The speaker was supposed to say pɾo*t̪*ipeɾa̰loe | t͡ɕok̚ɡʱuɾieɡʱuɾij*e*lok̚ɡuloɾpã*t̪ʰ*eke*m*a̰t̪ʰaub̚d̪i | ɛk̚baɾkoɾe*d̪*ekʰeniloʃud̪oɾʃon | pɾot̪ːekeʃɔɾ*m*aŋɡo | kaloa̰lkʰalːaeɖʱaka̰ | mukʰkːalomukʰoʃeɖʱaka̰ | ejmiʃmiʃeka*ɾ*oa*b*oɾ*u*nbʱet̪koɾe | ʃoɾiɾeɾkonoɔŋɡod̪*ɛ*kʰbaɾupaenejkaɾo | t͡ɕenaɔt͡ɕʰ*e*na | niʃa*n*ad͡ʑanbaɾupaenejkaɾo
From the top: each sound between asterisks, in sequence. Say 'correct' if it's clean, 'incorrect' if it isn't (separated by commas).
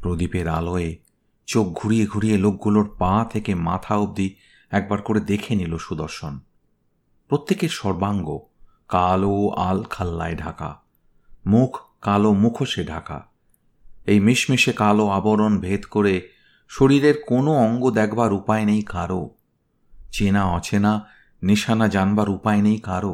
incorrect, correct, correct, correct, correct, incorrect, incorrect, correct, incorrect, correct, correct, correct